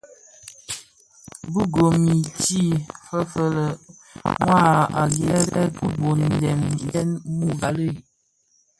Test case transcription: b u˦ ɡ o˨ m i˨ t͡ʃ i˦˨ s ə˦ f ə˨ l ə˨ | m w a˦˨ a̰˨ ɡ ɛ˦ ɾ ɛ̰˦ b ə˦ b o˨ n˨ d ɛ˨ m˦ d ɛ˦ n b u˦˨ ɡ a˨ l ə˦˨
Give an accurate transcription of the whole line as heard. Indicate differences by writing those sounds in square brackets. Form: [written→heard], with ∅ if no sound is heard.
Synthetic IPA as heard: b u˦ ɡ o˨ m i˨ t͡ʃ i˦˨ [s→f] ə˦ f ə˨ l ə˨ | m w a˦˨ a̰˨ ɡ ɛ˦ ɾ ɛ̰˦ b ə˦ b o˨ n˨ d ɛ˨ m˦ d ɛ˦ n [b→m] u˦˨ ɡ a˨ l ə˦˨